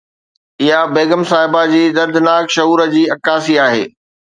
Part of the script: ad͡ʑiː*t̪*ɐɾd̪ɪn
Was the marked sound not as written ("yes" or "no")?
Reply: yes